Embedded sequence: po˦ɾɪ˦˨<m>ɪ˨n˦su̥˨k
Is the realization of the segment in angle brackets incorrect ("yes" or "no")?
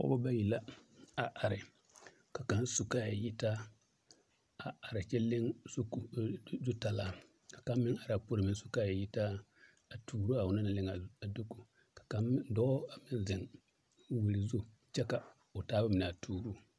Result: no